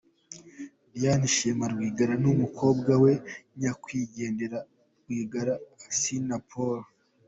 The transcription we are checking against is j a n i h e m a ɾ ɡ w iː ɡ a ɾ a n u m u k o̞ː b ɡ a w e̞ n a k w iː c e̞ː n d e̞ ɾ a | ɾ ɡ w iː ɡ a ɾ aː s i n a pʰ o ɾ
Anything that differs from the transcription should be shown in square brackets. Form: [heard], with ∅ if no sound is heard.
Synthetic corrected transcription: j a n i [ʃ] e m a ɾ ɡ w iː ɡ a ɾ a n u m u k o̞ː b ɡ a w e̞ [ɲ] a k w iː [ɟ] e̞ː n d e̞ ɾ a | ɾ ɡ w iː ɡ a ɾ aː s i n a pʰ o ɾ